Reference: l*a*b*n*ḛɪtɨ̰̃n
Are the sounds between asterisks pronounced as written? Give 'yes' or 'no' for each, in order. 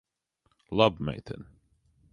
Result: no, no

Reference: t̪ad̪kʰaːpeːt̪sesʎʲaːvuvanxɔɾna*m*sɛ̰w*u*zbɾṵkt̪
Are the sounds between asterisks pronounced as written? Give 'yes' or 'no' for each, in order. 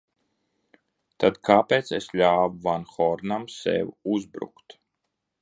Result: yes, yes

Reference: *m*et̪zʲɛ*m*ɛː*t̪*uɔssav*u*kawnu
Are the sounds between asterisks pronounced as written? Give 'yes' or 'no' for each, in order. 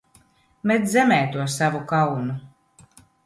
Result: yes, yes, yes, yes

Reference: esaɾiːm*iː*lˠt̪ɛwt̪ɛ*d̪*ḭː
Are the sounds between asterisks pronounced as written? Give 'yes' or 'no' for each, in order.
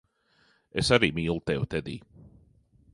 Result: yes, yes

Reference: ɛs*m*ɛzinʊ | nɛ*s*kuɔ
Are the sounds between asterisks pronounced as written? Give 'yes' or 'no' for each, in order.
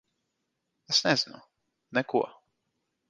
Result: no, no

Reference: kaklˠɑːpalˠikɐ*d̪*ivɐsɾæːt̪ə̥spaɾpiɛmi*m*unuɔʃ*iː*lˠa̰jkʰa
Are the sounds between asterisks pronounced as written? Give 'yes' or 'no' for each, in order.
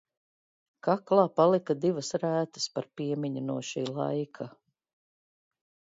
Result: yes, no, yes

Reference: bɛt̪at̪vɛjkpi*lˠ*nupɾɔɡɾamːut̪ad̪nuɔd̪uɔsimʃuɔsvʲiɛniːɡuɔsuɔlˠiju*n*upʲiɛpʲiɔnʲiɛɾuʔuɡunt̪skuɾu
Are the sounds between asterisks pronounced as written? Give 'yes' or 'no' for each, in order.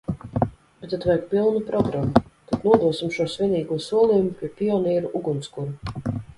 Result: yes, no

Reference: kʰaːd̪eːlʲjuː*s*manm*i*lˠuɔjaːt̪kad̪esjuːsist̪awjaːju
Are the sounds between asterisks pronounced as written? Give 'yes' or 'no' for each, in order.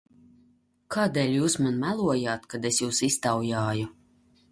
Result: yes, no

